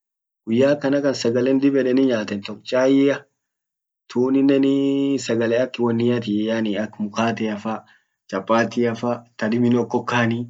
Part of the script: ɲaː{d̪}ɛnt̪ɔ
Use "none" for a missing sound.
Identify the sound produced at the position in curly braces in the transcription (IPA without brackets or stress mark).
t̪